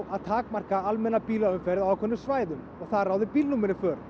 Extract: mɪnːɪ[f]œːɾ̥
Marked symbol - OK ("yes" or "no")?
yes